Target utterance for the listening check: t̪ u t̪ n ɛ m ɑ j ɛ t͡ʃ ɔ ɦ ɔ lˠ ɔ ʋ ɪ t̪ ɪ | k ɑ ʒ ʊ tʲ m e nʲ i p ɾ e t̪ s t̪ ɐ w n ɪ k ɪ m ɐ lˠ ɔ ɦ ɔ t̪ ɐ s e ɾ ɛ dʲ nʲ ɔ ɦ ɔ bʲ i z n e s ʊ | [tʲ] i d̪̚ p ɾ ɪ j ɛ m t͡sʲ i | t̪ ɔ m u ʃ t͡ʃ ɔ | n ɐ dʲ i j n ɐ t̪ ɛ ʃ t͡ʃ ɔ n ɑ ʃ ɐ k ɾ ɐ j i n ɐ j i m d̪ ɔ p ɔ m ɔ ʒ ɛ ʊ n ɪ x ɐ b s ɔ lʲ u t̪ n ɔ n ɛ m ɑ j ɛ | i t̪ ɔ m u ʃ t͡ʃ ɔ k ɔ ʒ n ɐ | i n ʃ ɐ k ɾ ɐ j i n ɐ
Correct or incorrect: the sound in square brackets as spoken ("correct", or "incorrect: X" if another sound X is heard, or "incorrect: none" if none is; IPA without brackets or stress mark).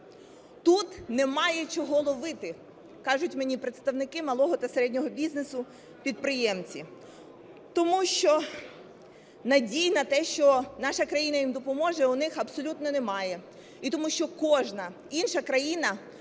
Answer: incorrect: pʲ